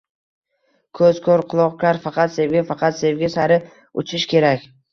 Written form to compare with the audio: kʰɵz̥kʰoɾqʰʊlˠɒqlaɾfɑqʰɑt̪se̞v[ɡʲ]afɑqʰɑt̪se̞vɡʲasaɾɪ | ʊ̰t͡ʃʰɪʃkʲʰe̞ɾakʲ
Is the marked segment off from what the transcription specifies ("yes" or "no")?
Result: no